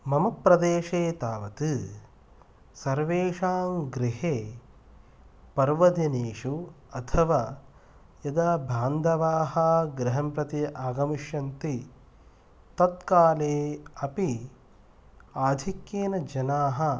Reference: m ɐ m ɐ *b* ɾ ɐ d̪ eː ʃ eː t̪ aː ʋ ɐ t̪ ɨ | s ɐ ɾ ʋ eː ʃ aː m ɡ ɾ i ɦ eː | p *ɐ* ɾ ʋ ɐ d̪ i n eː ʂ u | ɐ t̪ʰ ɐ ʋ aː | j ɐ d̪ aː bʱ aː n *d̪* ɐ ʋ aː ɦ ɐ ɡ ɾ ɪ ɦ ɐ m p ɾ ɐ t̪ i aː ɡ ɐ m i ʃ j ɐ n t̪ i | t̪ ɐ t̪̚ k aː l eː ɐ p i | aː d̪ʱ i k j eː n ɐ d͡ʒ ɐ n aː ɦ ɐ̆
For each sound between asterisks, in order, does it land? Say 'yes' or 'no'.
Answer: no, yes, yes

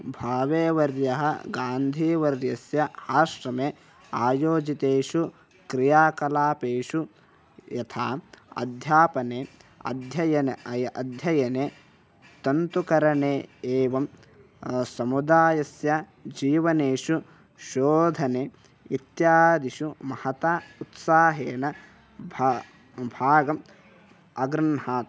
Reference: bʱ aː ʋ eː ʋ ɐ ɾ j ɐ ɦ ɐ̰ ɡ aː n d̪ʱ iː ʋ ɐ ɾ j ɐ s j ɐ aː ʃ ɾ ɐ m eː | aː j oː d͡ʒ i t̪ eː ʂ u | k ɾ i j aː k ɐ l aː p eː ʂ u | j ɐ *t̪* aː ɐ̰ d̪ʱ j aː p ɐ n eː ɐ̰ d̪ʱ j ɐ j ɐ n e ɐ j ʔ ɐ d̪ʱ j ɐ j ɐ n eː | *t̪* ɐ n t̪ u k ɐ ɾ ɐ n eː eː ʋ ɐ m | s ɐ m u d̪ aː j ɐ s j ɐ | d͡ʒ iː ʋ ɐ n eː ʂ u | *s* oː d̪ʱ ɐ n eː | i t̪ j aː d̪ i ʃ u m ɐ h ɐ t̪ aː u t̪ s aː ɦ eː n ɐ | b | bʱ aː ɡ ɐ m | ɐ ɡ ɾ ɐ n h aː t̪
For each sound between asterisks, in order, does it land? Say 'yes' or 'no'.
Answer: no, yes, no

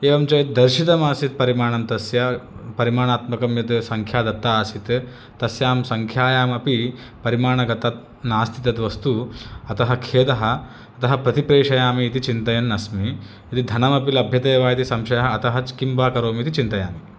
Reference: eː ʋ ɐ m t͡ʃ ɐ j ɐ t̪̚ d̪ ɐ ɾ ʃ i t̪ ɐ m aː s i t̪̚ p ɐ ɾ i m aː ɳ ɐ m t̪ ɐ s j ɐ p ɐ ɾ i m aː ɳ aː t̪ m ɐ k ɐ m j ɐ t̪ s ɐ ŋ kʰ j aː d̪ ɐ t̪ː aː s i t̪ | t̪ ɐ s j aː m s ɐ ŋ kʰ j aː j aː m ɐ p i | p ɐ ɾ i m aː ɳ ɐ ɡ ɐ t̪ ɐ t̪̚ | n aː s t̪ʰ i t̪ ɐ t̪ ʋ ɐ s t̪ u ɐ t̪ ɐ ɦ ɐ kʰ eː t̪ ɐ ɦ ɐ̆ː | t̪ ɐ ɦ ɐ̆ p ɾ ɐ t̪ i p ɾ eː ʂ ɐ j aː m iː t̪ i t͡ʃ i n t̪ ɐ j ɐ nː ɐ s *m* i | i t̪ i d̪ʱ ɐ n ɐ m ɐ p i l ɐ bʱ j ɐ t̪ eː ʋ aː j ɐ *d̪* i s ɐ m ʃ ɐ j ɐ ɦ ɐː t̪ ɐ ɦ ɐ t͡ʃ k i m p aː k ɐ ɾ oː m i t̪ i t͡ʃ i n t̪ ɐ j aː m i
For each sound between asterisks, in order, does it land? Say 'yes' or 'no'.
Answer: yes, no

